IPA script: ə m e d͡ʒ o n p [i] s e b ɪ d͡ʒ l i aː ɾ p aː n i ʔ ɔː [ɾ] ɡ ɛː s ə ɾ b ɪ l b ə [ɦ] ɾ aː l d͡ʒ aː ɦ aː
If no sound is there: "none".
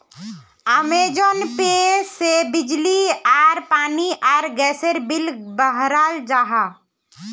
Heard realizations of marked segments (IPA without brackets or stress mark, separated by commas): e, ɾ, ɦ